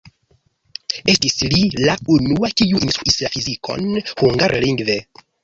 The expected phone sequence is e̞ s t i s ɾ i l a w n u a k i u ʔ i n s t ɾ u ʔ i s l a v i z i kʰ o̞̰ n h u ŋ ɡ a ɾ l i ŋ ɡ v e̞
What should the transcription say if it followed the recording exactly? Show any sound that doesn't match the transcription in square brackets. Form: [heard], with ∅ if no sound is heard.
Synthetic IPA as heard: e̞ s t i s [l] i l a [u] n u a k i u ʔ i n s t ɾ u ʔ i s l a [f] i z i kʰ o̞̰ n h u ŋ ɡ a ɾ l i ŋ ɡ v e̞